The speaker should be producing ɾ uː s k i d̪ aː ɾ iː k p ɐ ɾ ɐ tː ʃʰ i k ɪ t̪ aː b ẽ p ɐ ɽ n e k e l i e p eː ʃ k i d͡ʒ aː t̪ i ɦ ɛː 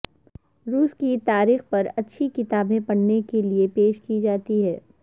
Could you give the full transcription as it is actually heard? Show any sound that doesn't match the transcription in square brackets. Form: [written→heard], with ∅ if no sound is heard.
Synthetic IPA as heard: ɾ uː s k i [d̪→t̪] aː ɾ iː [k→x] p ɐ ɾ ɐ tː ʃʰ i k ɪ t̪ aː b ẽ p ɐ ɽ n e k e l i e p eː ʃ k i d͡ʒ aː t̪ i ɦ ɛː